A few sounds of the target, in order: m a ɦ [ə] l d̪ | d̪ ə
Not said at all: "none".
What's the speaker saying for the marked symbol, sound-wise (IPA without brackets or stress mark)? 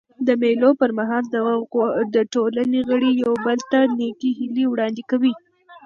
ɑ